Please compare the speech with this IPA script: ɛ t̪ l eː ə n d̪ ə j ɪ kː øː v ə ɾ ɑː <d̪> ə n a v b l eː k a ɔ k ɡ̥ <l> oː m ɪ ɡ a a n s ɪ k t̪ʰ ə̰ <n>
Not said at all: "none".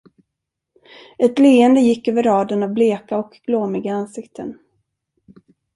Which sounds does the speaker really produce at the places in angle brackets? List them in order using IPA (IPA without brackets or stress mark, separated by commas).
d̪, l, n